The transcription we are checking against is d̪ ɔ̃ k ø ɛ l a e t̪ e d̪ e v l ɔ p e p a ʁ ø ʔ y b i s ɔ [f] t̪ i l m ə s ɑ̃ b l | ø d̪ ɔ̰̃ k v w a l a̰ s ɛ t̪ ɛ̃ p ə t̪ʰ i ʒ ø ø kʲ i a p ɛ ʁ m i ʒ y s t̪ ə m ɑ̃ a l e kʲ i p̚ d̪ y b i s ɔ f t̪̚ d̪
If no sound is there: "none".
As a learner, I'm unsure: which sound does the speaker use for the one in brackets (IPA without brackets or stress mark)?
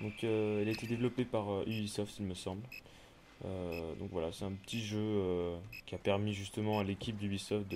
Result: f